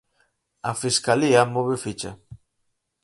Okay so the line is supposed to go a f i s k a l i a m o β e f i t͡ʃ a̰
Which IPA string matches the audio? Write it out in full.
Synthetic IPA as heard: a f i s k a l i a m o β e f i t͡ʃ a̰